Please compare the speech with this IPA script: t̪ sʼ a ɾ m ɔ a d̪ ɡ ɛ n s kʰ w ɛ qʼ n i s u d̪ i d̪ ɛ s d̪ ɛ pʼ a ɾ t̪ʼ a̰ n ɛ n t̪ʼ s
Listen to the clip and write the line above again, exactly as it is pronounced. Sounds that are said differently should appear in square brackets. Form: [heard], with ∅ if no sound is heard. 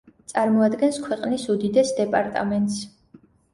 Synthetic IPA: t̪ sʼ a ɾ m ɔ a d̪ ɡ ɛ n s kʰ w ɛ qʼ n i s u d̪ i d̪ ɛ s d̪ ɛ pʼ a ɾ t̪ʼ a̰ [m] ɛ n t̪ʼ s

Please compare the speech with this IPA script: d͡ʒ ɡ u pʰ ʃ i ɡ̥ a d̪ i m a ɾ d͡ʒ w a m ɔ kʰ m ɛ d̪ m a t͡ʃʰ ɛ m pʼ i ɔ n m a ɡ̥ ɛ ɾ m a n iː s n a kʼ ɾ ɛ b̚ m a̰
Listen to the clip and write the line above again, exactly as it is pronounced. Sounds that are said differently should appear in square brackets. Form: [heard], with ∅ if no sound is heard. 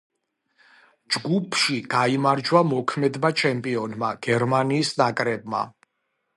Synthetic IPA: d͡ʒ ɡ u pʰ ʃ i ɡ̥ a [∅] i m a ɾ d͡ʒ w a m ɔ kʰ m ɛ d̪ m a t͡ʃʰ ɛ m pʼ i ɔ n m a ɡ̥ ɛ ɾ m a n iː s n a kʼ ɾ ɛ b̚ m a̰

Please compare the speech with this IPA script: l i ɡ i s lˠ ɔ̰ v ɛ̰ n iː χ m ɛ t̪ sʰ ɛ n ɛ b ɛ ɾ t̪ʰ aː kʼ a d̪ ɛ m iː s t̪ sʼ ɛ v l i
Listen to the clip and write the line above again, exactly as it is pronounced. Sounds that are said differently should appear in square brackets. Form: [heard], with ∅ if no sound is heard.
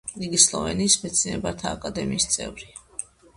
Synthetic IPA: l i ɡ i s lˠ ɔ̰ v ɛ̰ n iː [s] m ɛ t̪ sʰ [i] n ɛ b [a] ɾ t̪ʰ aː kʼ a d̪ ɛ m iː s t̪ sʼ ɛ v [ɾ] i

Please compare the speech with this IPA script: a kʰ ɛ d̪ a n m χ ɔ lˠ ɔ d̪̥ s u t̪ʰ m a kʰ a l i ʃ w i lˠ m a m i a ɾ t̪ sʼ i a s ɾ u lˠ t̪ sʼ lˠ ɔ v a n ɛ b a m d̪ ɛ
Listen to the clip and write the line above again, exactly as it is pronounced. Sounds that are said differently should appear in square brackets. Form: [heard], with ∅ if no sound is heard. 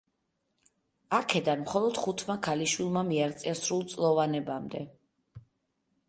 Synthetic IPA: a kʰ ɛ d̪ a n m χ ɔ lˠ ɔ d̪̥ [χ] u t̪ʰ m a kʰ a l i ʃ w i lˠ m a m i a ɾ t̪ sʼ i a s ɾ u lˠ t̪ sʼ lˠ ɔ v a n ɛ b a m d̪ ɛ

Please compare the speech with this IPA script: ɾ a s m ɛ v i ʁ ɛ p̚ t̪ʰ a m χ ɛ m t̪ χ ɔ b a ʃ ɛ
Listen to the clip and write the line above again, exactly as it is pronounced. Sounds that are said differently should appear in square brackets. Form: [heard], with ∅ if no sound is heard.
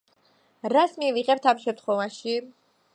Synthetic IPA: ɾ a s m [i] v i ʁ ɛ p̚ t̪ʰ a m [ʃ] ɛ m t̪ χ ɔ [v] a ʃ [i]

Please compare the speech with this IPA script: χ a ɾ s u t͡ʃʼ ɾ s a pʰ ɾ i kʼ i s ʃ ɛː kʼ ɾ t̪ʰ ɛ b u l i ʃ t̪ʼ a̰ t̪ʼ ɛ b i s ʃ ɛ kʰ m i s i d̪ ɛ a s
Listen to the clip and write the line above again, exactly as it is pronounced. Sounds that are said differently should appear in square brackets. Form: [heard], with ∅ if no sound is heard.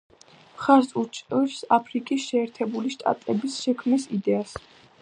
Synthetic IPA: χ a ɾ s u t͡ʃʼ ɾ s a pʰ ɾ i kʼ i s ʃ ɛː [∅] ɾ t̪ʰ ɛ b u l i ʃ t̪ʼ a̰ t̪ʼ ɛ b i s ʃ ɛ kʰ m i s i d̪ ɛ a s

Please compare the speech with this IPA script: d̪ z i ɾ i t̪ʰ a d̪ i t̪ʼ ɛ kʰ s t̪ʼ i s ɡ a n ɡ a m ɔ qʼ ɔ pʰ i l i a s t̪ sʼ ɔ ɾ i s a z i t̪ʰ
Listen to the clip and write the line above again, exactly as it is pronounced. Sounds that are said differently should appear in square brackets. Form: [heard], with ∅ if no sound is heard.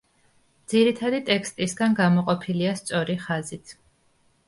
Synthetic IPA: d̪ z i ɾ i t̪ʰ a d̪ i t̪ʼ ɛ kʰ s t̪ʼ i s ɡ a n ɡ a m ɔ qʼ ɔ pʰ i l i a s t̪ sʼ ɔ ɾ i [χ] a z i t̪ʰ

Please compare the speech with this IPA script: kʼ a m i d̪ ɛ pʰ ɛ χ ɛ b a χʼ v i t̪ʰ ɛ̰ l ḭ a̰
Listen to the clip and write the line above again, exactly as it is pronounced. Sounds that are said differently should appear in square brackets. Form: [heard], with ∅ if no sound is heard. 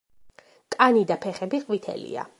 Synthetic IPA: kʼ a [n] i d̪ [a] pʰ ɛ χ ɛ b [i] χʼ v i t̪ʰ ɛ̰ l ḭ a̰

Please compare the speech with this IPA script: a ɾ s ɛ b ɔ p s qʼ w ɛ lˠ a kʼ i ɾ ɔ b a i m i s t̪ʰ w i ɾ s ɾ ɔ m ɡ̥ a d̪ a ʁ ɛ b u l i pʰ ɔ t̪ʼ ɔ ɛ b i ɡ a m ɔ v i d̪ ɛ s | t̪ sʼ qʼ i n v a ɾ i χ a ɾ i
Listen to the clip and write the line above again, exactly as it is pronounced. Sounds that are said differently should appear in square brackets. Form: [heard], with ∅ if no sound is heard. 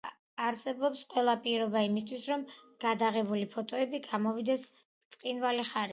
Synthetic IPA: a ɾ s ɛ b ɔ p s qʼ w ɛ lˠ a [pʼ] i ɾ ɔ b a i m i s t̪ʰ w i [∅] s ɾ ɔ m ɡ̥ a d̪ a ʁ ɛ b u l i pʰ ɔ t̪ʼ ɔ ɛ b i ɡ a m ɔ v i d̪ ɛ s | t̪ sʼ qʼ i n v a [l] i χ a ɾ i

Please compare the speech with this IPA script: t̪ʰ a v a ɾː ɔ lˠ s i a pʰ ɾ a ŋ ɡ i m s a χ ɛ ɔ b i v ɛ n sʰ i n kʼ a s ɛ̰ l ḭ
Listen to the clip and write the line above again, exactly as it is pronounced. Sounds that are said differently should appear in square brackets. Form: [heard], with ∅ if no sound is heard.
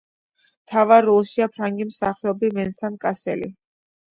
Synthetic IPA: t̪ʰ a v a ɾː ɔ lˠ [ʃ] i a pʰ ɾ a ŋ ɡ i m s a χ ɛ ɔ b i v ɛ n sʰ [a] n kʼ a s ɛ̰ l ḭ

